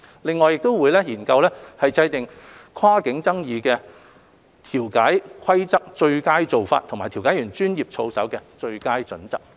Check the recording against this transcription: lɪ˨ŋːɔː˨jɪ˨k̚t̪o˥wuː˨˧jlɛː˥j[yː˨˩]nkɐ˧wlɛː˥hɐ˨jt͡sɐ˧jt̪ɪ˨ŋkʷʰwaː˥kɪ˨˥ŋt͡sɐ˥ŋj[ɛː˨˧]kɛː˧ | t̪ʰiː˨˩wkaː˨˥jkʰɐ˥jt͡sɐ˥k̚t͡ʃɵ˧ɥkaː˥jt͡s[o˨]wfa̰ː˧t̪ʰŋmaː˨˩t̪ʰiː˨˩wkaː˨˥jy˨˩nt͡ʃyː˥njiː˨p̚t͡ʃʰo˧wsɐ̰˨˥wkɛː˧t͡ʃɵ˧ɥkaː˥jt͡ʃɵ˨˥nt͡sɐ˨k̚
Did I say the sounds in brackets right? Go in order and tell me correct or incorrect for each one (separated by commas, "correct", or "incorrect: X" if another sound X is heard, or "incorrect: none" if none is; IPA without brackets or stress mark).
incorrect: iː˨˩, incorrect: iː˨˧, correct